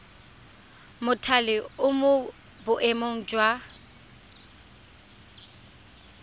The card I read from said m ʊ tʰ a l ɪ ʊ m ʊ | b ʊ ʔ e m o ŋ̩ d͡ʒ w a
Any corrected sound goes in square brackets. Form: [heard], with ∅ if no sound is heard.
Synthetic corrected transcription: m ʊ tʰ a l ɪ ʊ m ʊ | b ʊ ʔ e m o ŋ̩ d͡ʒ w a